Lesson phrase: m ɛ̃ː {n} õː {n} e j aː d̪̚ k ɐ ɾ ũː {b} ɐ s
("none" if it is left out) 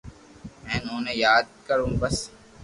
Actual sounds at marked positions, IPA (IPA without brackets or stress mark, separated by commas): n, n, b